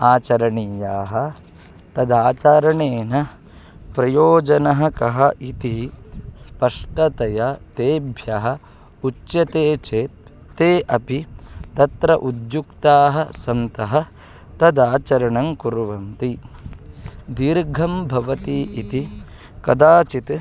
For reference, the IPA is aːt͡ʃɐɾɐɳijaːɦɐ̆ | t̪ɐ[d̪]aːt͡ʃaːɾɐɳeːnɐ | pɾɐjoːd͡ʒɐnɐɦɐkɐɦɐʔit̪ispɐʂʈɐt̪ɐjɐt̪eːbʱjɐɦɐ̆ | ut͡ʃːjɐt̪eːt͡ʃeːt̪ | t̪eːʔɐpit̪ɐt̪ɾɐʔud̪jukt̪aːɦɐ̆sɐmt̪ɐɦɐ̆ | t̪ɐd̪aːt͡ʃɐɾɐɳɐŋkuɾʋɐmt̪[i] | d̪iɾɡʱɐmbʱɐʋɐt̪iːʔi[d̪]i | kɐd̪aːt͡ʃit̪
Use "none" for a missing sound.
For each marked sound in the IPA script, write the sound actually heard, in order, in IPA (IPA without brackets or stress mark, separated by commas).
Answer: d̪, i, t̪